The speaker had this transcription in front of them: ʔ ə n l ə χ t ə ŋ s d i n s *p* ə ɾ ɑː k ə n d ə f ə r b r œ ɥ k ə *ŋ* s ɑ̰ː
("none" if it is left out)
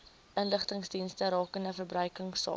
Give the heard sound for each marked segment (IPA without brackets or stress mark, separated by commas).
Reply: t, ŋ